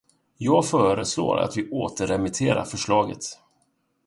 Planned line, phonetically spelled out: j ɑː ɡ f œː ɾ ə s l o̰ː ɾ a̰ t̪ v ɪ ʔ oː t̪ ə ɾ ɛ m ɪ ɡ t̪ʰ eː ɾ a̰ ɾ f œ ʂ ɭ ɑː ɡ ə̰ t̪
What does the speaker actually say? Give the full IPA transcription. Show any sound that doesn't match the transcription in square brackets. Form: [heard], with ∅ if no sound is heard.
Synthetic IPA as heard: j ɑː ɡ f œː ɾ ə s l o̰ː ɾ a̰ t̪ v ɪ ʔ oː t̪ ə ɾ ɛ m ɪ [∅] t̪ʰ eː ɾ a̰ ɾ f œ ʂ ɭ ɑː ɡ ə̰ t̪

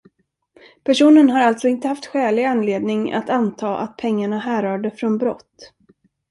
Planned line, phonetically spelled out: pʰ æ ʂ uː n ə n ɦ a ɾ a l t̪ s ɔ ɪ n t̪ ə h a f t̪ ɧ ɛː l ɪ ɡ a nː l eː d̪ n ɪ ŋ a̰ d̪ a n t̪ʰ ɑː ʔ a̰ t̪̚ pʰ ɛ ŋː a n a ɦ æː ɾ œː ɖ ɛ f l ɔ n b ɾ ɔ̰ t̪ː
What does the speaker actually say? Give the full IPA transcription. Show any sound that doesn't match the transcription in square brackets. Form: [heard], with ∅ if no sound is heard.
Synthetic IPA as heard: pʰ æ ʂ uː n ə n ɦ a ɾ a l t̪ s ɔ ɪ n t̪ ə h a f t̪ ɧ ɛː l ɪ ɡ a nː l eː d̪ n ɪ ŋ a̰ [t̪] a n t̪ʰ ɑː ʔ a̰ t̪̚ pʰ ɛ ŋː a [ɳ] a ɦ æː ɾ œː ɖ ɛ f [ɾ] ɔ n b ɾ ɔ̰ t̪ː

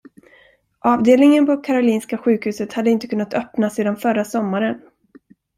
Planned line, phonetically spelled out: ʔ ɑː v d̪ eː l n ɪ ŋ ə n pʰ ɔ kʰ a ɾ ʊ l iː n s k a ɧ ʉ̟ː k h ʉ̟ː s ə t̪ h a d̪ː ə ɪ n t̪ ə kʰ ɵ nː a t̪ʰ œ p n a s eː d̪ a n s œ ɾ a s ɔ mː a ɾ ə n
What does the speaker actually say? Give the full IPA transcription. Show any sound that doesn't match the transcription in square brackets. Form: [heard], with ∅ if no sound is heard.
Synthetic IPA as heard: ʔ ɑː v d̪ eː l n ɪ ŋ ə n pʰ ɔ kʰ a ɾ ʊ l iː n s k a ɧ ʉ̟ː k h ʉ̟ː s ə t̪ h a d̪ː ə ɪ n t̪ ə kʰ ɵ nː a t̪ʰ œ p n a s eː d̪ a n [f] œ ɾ a s ɔ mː a ɾ ə n

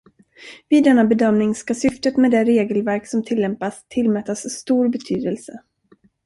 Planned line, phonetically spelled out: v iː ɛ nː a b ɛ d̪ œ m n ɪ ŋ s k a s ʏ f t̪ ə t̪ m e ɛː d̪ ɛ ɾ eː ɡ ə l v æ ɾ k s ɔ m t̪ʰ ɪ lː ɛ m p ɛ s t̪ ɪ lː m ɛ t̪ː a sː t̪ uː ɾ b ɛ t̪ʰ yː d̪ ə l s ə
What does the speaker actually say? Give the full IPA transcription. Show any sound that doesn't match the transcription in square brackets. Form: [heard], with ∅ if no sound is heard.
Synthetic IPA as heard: v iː ɛ nː a b ɛ d̪ œ m n ɪ ŋ s k a s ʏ f t̪ ə t̪ m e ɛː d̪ ɛ ɾ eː ɡ ə l v æ ɾ k s ɔ m t̪ʰ ɪ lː ɛ m p [a] s [t̪ʰ] ɪ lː m ɛ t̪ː a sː t̪ uː ɾ b ɛ t̪ʰ yː d̪ ə l s ə

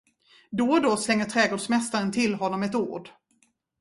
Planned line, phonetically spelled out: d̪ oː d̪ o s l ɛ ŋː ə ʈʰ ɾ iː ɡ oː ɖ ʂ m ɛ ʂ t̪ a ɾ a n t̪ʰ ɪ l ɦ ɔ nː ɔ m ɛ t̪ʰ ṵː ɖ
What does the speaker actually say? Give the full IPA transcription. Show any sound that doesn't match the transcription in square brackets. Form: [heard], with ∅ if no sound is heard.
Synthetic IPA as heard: d̪ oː d̪ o s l ɛ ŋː ə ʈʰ ɾ [ɛː] ɡ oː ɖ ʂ m ɛ [s] t̪ a ɾ [ə] n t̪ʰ ɪ l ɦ ɔ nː ɔ m ɛ [t̪] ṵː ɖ

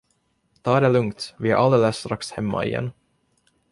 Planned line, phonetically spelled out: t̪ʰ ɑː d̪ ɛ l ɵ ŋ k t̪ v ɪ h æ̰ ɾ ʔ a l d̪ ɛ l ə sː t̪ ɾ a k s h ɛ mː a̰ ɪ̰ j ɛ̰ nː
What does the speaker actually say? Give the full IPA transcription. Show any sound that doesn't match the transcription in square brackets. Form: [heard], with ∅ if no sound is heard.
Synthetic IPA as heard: t̪ʰ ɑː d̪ ɛ l ɵ ŋ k t̪ v ɪ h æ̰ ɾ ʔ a l d̪ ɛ l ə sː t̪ ɾ a k s h ɛ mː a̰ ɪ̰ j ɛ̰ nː

